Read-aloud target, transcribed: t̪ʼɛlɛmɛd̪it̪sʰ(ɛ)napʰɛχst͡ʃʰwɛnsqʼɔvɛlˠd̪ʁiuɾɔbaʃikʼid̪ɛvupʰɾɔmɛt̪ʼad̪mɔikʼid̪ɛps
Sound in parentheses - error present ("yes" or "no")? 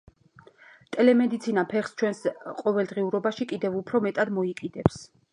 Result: yes